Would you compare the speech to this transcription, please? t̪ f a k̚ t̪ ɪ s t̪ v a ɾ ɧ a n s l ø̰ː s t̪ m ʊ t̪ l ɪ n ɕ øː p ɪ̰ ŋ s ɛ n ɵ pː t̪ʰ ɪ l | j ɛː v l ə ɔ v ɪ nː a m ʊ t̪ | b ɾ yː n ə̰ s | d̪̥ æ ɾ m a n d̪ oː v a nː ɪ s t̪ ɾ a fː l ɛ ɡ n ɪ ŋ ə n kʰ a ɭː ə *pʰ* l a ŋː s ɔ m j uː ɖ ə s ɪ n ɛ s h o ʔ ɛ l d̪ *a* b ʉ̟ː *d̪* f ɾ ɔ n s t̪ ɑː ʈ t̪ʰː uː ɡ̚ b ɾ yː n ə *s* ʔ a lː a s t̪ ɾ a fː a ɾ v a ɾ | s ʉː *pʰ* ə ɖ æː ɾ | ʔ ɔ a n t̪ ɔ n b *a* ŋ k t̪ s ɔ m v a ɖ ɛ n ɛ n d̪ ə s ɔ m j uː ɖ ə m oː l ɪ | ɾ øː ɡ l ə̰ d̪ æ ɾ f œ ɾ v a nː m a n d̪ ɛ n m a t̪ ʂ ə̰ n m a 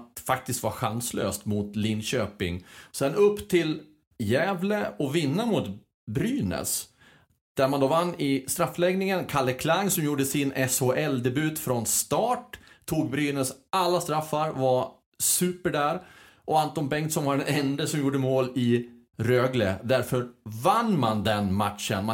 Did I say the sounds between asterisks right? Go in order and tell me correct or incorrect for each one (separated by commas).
incorrect, incorrect, incorrect, correct, incorrect, incorrect